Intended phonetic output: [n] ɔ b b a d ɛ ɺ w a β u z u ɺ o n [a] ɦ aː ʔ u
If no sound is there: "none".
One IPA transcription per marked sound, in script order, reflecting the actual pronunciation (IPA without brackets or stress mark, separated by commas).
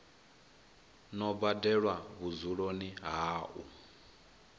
n, i